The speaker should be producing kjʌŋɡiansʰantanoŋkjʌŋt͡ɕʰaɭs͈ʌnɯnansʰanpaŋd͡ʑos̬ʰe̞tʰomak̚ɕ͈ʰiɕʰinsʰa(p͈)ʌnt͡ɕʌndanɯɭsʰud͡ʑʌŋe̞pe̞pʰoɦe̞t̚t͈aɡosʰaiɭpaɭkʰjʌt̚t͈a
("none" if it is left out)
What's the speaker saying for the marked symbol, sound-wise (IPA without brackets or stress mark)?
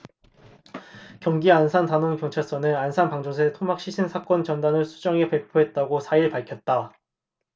k͈